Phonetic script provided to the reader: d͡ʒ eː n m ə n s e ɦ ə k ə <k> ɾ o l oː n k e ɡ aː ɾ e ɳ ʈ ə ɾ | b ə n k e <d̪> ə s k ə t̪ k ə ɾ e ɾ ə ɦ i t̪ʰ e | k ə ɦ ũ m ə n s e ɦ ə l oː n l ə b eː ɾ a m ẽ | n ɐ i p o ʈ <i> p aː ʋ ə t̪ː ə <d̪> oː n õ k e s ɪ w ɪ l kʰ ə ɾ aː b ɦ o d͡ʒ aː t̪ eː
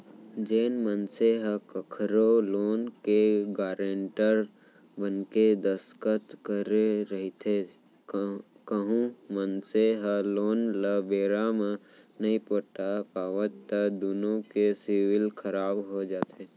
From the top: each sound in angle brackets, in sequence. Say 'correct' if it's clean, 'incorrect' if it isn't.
incorrect: kʰ, correct, incorrect: a, correct

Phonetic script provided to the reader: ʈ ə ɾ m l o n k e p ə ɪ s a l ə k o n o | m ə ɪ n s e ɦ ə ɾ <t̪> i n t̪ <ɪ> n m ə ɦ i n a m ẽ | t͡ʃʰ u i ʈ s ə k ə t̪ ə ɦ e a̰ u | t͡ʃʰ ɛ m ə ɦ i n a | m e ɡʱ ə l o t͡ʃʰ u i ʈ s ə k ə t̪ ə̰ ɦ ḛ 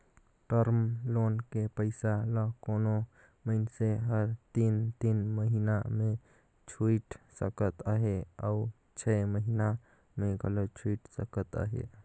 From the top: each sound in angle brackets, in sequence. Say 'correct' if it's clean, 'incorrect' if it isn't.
correct, incorrect: i

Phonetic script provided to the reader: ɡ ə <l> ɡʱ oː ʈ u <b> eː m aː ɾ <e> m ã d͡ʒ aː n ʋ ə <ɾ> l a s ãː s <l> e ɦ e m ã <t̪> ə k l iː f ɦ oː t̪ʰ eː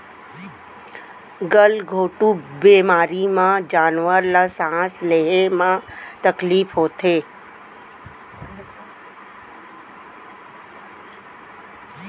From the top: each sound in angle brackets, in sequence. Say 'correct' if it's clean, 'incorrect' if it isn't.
correct, correct, incorrect: i, correct, correct, correct

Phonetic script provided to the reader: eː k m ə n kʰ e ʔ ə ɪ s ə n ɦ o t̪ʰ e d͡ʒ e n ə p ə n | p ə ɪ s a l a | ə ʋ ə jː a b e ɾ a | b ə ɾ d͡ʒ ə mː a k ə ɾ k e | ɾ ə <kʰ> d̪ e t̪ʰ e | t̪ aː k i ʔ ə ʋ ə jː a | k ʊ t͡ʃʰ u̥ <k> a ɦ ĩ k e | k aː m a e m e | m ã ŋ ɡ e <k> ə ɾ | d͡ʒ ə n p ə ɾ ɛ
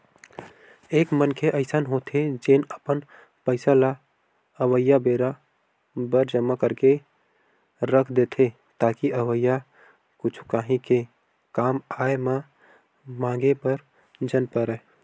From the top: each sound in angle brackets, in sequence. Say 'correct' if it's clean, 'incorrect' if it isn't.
correct, correct, incorrect: p

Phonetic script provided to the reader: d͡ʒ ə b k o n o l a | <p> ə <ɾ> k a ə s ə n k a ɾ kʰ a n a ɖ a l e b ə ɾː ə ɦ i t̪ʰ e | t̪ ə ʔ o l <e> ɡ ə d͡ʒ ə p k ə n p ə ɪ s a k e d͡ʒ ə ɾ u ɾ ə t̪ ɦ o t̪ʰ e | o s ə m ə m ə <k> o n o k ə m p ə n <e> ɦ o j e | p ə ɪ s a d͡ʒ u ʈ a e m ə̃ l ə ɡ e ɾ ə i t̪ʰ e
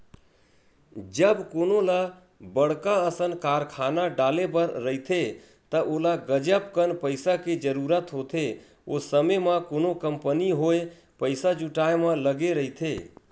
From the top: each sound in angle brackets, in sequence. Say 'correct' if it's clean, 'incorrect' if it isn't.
incorrect: b, incorrect: ɽ, incorrect: a, correct, incorrect: i

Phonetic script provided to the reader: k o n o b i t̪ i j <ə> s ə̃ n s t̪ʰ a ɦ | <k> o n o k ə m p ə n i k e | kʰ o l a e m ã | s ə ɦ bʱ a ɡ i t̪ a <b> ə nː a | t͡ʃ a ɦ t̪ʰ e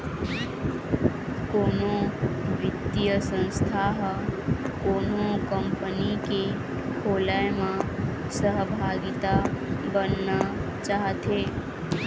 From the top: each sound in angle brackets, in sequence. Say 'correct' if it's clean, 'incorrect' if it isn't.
correct, correct, correct

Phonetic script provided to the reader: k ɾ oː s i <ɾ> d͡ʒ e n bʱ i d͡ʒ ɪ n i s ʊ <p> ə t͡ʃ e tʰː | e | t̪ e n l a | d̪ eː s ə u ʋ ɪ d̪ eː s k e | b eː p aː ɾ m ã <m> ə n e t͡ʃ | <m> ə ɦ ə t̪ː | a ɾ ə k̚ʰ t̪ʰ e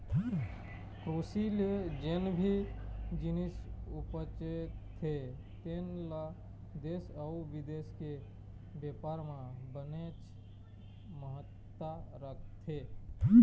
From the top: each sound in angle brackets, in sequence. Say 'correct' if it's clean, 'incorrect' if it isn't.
incorrect: l, correct, incorrect: b, correct

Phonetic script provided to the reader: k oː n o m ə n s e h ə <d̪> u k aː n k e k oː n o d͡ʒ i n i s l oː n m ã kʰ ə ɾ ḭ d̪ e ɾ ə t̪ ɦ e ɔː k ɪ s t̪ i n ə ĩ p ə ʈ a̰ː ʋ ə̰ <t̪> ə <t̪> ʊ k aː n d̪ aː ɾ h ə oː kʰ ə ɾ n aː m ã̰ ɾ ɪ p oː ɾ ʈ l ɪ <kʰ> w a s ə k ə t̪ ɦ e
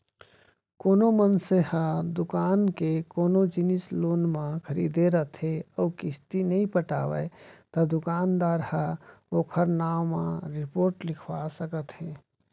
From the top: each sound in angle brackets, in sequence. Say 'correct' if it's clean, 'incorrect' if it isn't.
correct, correct, incorrect: d̪, correct

